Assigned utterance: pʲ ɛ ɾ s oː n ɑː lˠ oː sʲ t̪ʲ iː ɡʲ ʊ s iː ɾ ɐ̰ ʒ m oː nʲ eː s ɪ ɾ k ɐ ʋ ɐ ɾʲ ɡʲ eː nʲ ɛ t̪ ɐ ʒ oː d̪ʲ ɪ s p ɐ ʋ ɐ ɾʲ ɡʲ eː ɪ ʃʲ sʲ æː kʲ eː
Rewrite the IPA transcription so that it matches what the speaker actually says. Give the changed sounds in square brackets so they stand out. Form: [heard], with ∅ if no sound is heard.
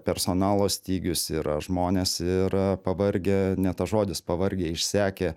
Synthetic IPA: pʲ ɛ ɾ s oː n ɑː lˠ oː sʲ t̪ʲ iː ɡʲ ʊ s iː ɾ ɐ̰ ʒ m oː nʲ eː s ɪ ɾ [p] ɐ ʋ ɐ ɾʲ ɡʲ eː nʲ ɛ t̪ ɐ ʒ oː d̪ʲ ɪ s p ɐ ʋ ɐ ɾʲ ɡʲ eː ɪ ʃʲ sʲ æː kʲ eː